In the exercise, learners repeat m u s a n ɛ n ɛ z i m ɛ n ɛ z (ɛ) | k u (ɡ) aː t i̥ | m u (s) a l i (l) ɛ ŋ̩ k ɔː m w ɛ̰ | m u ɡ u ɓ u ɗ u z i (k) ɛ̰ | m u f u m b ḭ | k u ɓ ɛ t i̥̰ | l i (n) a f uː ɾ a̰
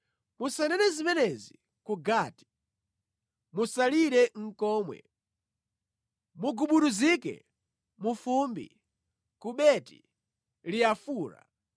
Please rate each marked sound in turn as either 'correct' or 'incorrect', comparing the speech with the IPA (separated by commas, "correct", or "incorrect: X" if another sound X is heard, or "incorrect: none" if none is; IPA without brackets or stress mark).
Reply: incorrect: i, correct, correct, incorrect: ɾ, correct, incorrect: none